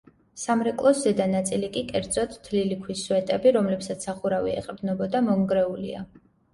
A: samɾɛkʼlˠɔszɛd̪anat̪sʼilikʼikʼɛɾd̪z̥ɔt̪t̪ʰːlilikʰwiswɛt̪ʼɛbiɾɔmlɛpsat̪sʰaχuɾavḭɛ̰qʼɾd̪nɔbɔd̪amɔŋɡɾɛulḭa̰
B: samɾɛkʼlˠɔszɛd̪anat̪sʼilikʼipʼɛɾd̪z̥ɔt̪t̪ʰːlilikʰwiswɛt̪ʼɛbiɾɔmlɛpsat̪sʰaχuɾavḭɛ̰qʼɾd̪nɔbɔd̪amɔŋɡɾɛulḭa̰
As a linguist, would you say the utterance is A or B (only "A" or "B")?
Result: A